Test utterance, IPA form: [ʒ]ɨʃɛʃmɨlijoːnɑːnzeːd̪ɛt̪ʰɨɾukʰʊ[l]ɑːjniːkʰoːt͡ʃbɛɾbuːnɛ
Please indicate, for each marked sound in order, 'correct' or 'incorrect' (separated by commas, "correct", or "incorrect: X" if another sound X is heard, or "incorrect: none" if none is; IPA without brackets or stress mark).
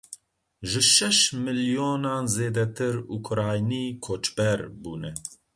correct, incorrect: ɾ